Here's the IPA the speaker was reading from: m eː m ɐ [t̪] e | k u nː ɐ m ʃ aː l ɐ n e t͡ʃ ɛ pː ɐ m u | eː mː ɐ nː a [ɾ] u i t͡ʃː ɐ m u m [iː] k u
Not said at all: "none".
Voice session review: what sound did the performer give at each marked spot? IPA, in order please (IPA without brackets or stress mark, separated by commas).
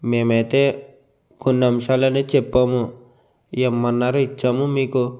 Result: t̪, ɾ, iː